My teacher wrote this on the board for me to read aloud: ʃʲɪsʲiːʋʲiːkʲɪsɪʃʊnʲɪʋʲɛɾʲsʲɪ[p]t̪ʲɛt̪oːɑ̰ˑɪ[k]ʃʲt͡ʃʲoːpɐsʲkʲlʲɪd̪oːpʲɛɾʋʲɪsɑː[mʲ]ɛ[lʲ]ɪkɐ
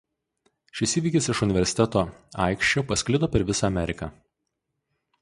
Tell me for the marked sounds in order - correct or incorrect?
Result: incorrect, correct, correct, incorrect

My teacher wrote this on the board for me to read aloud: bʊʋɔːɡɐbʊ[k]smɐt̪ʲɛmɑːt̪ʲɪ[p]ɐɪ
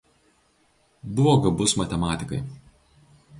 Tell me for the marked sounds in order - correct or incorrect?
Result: incorrect, incorrect

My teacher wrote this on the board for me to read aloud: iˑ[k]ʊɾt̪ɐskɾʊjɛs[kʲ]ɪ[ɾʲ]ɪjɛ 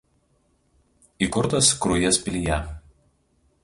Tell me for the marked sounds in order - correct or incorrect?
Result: correct, incorrect, incorrect

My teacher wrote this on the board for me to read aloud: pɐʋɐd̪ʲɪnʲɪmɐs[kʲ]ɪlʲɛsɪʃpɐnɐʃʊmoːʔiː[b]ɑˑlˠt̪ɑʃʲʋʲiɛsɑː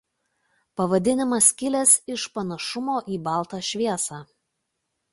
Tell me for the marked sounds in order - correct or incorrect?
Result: correct, correct

